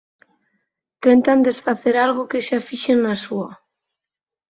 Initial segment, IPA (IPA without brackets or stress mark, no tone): t̪